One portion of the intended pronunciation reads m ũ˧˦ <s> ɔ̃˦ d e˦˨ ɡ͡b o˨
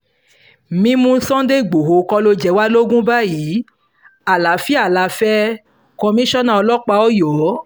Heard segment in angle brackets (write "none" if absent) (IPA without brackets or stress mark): s